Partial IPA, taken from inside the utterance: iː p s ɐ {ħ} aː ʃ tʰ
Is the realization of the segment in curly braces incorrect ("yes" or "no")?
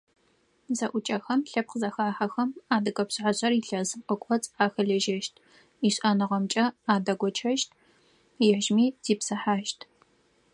no